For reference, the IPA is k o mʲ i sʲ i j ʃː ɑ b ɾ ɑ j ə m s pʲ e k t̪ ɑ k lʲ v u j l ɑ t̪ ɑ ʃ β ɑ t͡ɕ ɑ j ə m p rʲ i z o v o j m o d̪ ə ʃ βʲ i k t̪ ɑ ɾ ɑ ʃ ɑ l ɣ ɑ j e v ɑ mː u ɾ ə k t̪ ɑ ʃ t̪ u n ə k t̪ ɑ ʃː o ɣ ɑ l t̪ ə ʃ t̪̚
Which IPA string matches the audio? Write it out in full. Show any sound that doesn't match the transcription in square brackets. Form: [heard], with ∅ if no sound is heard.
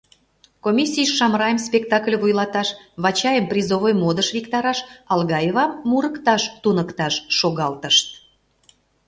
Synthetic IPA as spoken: k o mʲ i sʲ i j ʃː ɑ [m] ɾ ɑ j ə m s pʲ e k t̪ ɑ k lʲ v u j l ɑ t̪ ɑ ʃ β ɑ t͡ɕ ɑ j ə m p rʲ i z o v o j m o d̪ ə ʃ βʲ i k t̪ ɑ ɾ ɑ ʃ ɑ l ɣ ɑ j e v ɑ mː u ɾ ə k t̪ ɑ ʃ t̪ u n ə k t̪ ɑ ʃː o ɣ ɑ l t̪ ə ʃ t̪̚